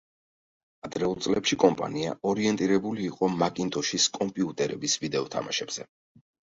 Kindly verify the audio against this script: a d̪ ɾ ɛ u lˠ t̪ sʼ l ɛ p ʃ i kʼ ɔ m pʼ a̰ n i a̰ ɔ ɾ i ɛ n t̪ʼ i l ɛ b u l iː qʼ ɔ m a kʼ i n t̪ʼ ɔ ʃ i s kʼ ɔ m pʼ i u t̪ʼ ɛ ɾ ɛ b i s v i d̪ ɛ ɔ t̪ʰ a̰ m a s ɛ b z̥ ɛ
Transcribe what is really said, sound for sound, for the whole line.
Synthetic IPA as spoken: a d̪ ɾ ɛ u lˠ t̪ sʼ l ɛ p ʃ i kʼ ɔ m pʼ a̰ n i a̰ ɔ ɾ i ɛ n t̪ʼ i ɾ ɛ b u l iː qʼ ɔ m a kʼ i n t̪ʼ ɔ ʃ i s kʼ ɔ m pʼ i u t̪ʼ ɛ ɾ ɛ b i s v i d̪ ɛ ɔ t̪ʰ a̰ m a ʃ ɛ b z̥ ɛ

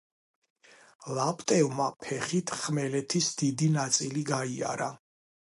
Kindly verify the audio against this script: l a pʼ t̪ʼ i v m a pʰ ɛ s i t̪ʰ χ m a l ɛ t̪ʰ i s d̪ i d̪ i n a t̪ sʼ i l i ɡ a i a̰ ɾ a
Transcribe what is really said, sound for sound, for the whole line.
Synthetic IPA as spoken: l a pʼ t̪ʼ ɛ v m a pʰ ɛ χ i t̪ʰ χ m ɛ l ɛ t̪ʰ i s d̪ i d̪ i n a t̪ sʼ i l i ɡ a i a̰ ɾ a

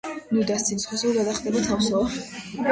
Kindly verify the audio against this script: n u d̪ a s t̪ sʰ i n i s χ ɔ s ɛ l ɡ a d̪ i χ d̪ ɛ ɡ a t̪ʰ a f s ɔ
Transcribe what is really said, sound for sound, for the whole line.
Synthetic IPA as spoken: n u d̪ a s t̪ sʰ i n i s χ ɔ s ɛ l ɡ a d̪ a χ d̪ ɛ b a t̪ʰ a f s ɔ

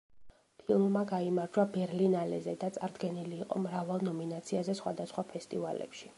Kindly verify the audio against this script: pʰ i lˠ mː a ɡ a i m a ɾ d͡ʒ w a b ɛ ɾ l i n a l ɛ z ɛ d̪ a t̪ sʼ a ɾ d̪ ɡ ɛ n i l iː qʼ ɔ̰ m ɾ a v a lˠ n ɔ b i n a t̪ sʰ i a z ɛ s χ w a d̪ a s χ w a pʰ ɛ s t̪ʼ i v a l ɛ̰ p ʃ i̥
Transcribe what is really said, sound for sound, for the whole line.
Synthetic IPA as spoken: pʰ i lˠ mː a ɡ a i m a ɾ d͡ʒ w a b ɛ ɾ l i n a l ɛ z ɛ d̪ a t̪ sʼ a ɾ d̪ ɡ ɛ n i l iː qʼ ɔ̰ m ɾ a v a lˠ n ɔ m i n a t̪ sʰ i a z ɛ s χ w a d̪ a s χ w a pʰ ɛ s t̪ʼ i v a l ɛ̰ p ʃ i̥

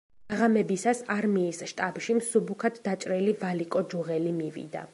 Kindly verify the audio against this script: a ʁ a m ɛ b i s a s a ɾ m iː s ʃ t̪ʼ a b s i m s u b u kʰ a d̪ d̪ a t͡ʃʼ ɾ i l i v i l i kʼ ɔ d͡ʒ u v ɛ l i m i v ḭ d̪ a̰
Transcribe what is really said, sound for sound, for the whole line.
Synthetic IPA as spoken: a ʁ a m ɛ b i s a s a ɾ m iː s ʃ t̪ʼ a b ʃ i m s u b u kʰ a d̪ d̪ a t͡ʃʼ ɾ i l i v a l i kʼ ɔ d͡ʒ u ʁ ɛ l i m i v ḭ d̪ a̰

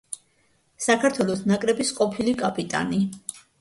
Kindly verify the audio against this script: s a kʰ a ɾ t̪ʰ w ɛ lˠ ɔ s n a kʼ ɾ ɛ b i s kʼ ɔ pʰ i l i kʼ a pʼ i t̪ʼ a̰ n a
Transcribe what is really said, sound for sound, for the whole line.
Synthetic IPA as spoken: s a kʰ a ɾ t̪ʰ w ɛ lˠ ɔ s n a kʼ ɾ ɛ b i s qʼ ɔ pʰ i l i kʼ a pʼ i t̪ʼ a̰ n i

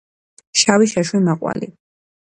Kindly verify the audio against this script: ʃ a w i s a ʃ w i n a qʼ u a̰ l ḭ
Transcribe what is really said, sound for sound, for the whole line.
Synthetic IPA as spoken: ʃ a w i ʃ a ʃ w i m a qʼ w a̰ l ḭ

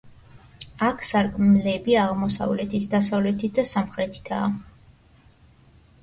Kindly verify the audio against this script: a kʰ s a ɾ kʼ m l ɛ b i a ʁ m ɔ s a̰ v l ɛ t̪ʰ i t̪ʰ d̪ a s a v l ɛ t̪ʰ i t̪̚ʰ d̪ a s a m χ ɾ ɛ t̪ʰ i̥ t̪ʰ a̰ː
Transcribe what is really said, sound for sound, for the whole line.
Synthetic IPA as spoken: a kʰ s a ɾ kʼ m l ɛ b i a ʁ m ɔ s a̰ v l ɛ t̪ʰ i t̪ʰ d̪ a s a v l ɛ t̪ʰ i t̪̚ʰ d̪ a s a m χ ɾ ɛ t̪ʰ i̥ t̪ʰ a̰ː

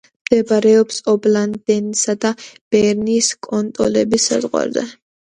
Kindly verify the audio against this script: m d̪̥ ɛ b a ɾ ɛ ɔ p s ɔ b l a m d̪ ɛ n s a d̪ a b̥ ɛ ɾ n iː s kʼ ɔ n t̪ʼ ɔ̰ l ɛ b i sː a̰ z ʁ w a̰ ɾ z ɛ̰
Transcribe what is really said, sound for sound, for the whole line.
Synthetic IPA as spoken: m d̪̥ ɛ b a ɾ ɛ ɔ p s ɔ b l a n d̪ ɛ n s a d̪ a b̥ ɛ ɾ n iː s kʼ ɔ n t̪ʼ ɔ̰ l ɛ b i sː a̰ z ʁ w a̰ ɾ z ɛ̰

